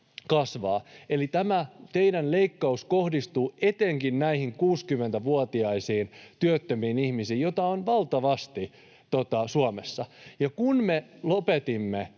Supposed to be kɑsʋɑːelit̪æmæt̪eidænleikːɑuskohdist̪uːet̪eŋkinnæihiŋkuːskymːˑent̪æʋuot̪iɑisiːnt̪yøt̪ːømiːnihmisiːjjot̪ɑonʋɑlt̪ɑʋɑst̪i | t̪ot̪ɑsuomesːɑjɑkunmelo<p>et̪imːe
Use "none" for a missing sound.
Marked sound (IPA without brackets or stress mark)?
p